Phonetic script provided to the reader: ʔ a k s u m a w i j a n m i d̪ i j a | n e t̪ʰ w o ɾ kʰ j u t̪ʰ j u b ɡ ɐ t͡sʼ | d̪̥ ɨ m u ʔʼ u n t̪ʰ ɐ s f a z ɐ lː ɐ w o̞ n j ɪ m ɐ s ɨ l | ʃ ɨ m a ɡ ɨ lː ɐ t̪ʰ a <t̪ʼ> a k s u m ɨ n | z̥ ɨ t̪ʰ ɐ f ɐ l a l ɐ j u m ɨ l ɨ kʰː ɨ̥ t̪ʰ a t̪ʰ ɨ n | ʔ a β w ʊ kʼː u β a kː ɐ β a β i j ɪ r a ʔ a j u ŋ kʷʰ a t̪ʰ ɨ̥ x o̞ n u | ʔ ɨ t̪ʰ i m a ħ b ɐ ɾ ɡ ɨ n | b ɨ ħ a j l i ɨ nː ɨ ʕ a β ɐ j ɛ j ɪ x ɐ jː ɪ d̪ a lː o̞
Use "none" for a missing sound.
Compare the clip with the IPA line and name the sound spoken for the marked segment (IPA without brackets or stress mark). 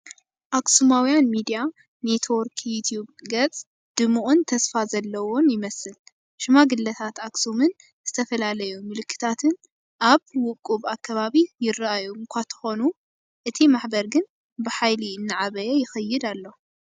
t̪